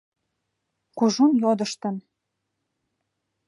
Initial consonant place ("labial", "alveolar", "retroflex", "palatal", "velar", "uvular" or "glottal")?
velar